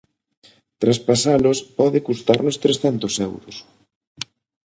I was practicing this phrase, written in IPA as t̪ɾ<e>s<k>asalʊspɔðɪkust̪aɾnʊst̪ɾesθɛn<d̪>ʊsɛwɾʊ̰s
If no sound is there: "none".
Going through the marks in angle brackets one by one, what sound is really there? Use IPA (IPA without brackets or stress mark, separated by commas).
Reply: a, p, t̪